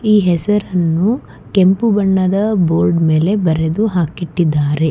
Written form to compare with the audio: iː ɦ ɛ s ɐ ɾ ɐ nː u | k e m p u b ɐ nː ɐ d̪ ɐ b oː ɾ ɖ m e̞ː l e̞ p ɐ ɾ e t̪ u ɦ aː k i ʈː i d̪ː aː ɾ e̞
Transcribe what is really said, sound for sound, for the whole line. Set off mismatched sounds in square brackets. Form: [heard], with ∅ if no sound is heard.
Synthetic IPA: iː ɦ ɛ s ɐ ɾ ɐ nː u | k e m p u b ɐ [ɳː] ɐ d̪ ɐ b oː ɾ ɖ m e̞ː l e̞ [b] ɐ ɾ e [d̪] u ɦ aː k i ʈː i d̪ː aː ɾ e̞